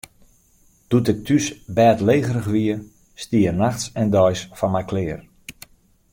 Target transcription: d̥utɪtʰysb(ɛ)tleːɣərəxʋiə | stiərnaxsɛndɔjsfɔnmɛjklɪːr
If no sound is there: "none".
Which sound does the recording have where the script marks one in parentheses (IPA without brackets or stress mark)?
ɛː